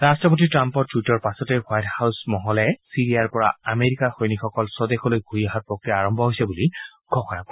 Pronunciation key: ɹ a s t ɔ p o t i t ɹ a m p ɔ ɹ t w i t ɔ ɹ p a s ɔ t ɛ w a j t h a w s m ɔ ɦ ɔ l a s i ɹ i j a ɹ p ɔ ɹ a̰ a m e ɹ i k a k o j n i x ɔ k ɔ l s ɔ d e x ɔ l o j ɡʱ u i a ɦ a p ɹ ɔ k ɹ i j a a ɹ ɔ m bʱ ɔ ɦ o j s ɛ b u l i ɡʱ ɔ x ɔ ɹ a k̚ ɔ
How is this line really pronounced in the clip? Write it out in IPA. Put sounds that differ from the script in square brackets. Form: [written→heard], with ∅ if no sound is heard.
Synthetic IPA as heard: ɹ a s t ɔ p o t i t ɹ a m p ɔ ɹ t w i t ɔ ɹ p a s ɔ t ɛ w a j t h a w s m ɔ ɦ ɔ l [a→ɛ] s i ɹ i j a ɹ p ɔ ɹ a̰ a m e ɹ i k a [k→x] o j n i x ɔ k ɔ l s ɔ d e x ɔ l o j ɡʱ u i a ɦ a p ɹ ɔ k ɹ i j a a ɹ ɔ m bʱ ɔ ɦ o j s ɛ b u l i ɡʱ ɔ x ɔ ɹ a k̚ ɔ